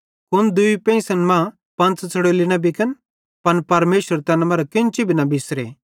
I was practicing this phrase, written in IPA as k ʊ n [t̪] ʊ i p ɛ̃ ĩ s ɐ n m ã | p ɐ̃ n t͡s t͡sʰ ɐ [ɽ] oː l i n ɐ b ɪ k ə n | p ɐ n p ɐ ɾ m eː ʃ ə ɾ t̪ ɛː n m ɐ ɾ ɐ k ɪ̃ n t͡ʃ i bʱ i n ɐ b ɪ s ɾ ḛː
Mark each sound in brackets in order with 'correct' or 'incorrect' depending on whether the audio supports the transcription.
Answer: incorrect, correct

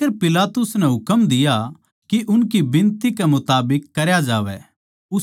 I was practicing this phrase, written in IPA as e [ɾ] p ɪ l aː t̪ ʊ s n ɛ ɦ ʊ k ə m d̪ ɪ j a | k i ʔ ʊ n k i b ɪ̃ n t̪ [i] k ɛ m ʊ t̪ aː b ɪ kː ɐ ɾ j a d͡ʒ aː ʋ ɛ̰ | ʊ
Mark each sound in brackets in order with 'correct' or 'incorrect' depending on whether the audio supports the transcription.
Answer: correct, correct

